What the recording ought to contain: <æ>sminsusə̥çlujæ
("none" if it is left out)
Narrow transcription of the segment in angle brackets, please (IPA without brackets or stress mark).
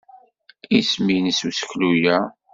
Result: i